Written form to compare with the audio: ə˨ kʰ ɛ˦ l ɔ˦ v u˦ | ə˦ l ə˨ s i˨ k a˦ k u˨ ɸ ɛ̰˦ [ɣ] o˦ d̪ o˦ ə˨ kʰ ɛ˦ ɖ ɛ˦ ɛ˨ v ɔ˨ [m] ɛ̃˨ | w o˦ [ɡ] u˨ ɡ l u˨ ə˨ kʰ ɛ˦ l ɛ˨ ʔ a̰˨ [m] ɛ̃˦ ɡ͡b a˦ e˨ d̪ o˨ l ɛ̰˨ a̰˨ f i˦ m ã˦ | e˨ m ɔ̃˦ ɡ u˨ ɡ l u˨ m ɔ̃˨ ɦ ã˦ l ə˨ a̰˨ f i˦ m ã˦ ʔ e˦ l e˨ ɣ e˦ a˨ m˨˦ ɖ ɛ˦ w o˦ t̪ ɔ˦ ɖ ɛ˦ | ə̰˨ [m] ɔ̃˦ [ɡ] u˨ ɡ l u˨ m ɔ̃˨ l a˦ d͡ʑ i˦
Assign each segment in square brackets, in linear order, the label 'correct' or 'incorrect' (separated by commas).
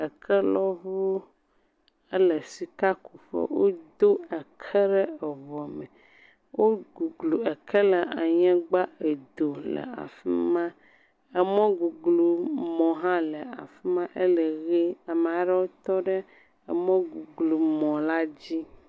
incorrect, correct, correct, incorrect, correct, correct